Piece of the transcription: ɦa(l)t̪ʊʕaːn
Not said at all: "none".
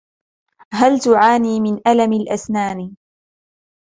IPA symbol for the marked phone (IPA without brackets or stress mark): l